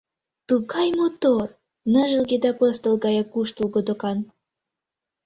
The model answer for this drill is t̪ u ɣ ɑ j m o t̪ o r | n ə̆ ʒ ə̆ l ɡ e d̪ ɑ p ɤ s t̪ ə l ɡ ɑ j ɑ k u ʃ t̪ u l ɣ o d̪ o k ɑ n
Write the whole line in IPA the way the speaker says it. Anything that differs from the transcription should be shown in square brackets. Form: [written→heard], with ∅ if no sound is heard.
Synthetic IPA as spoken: t̪ u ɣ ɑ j m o t̪ o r | n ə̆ ʒ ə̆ l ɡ e d̪ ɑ p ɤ s t̪ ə l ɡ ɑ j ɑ k u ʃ t̪ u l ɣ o d̪ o k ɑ n